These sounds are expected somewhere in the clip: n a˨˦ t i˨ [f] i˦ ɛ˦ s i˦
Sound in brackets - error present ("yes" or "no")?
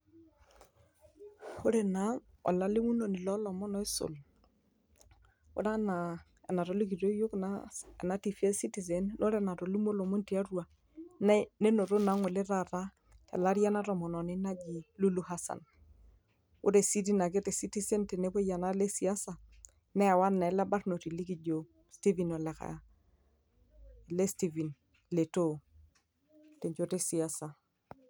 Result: no